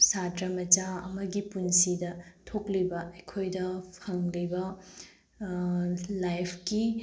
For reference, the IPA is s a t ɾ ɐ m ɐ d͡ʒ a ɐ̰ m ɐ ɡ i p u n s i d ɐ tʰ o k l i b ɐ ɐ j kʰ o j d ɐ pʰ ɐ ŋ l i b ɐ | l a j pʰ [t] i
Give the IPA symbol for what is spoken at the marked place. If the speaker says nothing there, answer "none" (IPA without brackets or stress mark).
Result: k